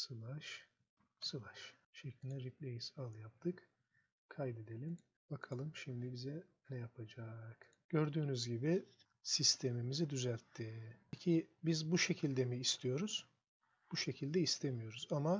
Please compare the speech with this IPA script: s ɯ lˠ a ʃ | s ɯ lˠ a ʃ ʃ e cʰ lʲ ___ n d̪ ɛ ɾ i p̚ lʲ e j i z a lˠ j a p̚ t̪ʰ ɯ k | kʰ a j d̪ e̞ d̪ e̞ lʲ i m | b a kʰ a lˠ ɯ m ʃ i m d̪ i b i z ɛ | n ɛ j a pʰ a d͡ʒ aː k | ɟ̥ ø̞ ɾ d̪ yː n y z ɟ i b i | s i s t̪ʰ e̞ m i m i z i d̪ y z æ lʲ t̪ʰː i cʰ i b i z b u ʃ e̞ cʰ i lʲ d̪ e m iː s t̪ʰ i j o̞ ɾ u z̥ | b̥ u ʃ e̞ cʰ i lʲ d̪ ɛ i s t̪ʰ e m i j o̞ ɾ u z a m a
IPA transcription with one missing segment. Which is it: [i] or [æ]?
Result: i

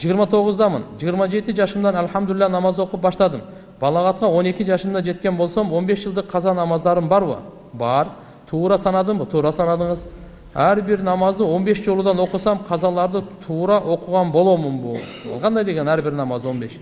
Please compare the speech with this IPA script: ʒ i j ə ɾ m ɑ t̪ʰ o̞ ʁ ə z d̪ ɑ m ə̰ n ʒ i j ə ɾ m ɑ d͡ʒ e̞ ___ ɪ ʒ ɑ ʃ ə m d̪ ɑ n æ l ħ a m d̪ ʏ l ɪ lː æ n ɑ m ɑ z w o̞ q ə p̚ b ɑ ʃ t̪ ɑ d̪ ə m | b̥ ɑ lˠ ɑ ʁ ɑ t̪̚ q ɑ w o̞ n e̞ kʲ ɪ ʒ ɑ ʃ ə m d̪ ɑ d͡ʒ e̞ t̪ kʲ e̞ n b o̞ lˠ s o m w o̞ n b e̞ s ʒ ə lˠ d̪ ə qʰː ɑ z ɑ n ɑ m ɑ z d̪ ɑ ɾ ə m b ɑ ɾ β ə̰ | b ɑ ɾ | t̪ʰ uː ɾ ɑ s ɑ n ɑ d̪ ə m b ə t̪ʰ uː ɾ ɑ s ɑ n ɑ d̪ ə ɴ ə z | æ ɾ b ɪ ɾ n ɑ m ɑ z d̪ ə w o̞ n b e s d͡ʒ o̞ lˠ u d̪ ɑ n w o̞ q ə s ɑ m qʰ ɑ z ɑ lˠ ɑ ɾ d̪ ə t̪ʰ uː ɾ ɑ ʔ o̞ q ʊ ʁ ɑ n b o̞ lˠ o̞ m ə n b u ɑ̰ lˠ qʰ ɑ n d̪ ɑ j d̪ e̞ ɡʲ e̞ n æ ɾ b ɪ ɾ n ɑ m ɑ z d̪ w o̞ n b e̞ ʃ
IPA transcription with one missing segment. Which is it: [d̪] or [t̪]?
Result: t̪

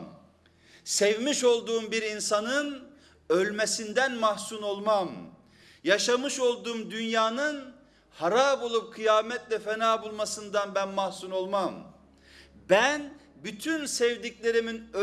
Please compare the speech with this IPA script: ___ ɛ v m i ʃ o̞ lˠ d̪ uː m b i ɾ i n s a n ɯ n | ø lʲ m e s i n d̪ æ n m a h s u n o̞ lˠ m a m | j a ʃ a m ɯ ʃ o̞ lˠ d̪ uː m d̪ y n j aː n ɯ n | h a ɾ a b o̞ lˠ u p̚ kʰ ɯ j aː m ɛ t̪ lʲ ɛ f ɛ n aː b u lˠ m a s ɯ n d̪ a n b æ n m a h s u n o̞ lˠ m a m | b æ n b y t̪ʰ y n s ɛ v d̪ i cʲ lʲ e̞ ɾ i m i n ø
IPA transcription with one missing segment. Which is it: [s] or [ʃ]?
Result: s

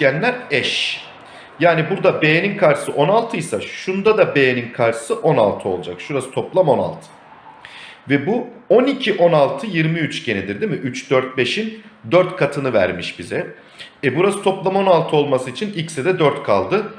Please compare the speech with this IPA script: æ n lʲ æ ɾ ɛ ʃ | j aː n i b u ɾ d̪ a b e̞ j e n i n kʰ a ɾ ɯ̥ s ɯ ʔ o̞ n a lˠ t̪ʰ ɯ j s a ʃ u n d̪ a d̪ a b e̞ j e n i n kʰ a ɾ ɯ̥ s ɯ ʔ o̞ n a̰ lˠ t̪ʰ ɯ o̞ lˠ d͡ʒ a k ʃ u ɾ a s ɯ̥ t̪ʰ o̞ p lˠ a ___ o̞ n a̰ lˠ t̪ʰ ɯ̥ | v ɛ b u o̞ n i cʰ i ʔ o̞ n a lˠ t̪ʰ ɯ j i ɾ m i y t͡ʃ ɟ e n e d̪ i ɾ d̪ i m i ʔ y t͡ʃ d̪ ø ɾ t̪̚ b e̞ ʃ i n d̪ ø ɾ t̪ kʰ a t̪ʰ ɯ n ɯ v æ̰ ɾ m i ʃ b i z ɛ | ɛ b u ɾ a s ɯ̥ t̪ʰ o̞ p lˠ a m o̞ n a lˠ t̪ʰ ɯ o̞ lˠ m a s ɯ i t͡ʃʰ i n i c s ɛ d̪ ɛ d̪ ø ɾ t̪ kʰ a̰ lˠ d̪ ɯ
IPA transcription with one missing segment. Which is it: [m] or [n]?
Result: m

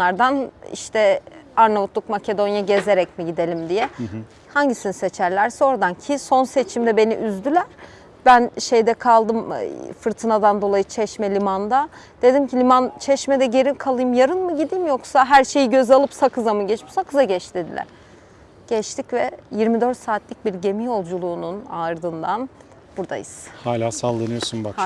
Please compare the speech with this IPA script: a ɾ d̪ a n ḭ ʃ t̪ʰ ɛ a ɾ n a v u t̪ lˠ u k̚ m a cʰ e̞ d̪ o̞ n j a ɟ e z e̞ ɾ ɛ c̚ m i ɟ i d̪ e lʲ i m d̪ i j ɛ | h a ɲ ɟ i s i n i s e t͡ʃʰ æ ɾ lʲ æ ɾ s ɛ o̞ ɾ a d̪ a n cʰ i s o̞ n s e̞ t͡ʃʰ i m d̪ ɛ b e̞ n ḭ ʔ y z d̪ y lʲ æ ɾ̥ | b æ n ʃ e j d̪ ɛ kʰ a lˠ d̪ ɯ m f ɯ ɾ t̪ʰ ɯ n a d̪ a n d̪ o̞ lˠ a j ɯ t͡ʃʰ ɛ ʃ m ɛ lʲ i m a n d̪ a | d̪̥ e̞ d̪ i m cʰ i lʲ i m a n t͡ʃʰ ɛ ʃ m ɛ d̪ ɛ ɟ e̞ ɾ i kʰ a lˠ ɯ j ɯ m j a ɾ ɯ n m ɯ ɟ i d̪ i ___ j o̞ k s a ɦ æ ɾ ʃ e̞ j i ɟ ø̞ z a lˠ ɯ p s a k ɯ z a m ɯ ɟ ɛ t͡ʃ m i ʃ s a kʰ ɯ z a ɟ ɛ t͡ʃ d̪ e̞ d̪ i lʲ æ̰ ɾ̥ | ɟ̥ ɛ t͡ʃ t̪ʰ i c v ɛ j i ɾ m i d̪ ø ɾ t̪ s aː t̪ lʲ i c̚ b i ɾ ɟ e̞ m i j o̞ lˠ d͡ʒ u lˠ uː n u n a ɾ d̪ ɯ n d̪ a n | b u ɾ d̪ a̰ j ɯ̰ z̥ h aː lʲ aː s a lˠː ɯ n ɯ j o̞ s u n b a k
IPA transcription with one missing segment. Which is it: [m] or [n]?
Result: m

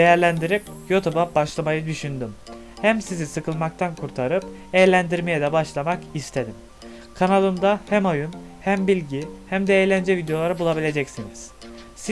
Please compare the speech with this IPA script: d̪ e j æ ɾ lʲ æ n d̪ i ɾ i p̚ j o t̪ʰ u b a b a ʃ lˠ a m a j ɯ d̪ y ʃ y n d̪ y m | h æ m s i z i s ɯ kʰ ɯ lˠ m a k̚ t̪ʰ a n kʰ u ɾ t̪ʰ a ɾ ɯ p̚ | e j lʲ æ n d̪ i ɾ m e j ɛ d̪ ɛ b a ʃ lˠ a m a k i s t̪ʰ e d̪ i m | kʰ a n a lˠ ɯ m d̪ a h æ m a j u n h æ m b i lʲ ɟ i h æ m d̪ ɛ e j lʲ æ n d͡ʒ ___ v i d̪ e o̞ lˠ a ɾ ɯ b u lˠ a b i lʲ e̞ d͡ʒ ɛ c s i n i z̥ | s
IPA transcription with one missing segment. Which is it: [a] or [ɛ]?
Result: ɛ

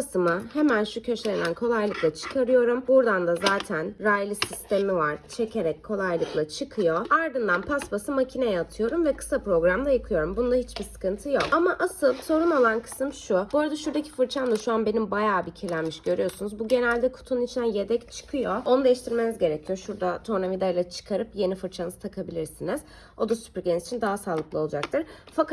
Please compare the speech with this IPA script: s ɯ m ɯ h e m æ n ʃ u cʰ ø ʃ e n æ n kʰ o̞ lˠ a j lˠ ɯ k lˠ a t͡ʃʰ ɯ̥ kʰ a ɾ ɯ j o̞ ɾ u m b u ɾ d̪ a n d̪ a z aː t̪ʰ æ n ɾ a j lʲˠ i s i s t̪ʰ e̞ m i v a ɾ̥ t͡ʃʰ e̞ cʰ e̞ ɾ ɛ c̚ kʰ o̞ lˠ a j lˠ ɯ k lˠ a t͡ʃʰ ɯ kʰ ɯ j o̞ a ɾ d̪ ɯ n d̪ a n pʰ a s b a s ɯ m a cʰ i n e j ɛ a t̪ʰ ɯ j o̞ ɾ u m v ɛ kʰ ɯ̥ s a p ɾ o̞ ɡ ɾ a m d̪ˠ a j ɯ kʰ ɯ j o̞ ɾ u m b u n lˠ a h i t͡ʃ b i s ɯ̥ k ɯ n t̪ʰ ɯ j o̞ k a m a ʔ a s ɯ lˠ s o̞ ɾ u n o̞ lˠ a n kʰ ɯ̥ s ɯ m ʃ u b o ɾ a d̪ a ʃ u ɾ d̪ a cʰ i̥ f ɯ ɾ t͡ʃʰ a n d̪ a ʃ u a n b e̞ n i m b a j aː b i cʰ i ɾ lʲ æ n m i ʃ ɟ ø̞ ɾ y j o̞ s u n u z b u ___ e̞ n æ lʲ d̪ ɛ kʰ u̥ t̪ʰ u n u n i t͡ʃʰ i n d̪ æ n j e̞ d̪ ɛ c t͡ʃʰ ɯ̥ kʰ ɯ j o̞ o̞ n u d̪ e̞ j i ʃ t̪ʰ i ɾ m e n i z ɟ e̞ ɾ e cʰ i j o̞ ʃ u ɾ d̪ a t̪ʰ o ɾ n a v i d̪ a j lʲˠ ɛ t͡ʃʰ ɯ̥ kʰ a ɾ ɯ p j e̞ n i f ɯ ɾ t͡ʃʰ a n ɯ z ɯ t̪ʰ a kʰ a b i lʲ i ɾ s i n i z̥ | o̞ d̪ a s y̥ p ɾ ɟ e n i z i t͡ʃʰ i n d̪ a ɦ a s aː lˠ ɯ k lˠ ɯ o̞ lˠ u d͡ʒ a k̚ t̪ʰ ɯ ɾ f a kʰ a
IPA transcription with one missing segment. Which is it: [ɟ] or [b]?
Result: ɟ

